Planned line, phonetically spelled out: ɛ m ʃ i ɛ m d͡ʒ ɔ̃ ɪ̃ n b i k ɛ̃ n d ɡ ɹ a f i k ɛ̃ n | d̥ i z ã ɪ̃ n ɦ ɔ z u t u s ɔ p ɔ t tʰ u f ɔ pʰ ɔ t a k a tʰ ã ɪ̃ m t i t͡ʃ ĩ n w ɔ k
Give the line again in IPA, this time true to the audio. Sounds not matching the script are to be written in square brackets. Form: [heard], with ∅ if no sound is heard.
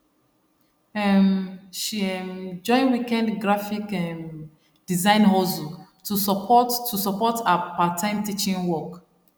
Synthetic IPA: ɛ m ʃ i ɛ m d͡ʒ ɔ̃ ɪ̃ n [w] i k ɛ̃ n d ɡ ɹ a f i k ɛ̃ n | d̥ i z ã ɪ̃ n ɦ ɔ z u t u s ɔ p ɔ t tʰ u [s] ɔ [p] ɔ t a [p] a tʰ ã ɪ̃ m t i t͡ʃ ĩ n w ɔ k